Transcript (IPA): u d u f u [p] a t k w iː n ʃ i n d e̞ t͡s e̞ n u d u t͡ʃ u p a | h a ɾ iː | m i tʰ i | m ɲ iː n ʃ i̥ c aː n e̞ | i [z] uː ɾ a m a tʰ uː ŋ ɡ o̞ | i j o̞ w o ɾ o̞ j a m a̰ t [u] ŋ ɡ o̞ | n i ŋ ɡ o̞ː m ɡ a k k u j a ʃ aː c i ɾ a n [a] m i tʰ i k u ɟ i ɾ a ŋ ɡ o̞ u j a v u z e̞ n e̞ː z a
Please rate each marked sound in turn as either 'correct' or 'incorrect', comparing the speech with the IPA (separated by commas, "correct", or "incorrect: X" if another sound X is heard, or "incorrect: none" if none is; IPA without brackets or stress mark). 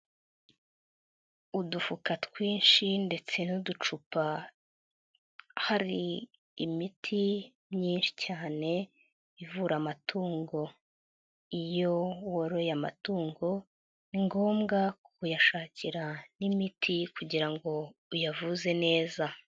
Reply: incorrect: k, incorrect: v, incorrect: uː, incorrect: i